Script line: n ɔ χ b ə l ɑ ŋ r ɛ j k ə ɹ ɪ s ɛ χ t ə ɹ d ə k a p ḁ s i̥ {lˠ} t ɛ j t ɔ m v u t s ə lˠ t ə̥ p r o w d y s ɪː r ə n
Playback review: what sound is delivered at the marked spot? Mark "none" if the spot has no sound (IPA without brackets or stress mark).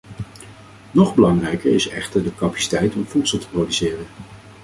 none